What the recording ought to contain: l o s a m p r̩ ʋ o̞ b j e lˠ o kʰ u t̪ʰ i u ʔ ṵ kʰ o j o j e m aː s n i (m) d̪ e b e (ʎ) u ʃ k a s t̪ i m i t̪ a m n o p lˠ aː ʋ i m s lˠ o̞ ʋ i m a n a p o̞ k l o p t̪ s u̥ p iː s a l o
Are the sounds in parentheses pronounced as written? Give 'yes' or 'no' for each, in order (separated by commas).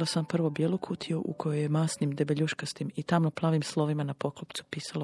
yes, yes